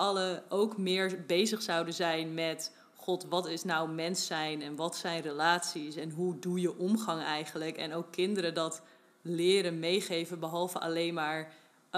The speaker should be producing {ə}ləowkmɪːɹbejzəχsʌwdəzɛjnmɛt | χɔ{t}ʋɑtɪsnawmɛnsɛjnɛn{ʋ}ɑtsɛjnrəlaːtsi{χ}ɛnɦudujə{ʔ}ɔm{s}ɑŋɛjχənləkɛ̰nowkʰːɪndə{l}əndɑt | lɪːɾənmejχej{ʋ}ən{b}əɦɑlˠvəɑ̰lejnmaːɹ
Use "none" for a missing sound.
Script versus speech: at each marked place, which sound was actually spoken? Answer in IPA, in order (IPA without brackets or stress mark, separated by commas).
ɑ, t, ʋ, s, ʔ, χ, ɾ, v, b